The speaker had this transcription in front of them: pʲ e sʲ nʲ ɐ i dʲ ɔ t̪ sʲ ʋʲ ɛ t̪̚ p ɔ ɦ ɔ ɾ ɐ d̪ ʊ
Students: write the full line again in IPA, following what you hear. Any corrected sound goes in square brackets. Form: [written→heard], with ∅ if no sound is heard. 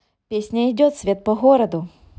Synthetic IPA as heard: pʲ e sʲ nʲ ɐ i dʲ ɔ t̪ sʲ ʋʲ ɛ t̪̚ p ɔ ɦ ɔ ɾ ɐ d̪ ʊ